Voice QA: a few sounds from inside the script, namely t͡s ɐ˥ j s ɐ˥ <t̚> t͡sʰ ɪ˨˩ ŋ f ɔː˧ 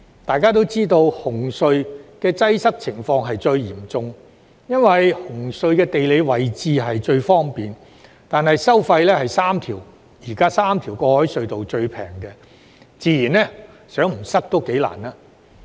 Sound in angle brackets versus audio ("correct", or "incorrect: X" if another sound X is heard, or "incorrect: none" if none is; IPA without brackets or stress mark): incorrect: k̚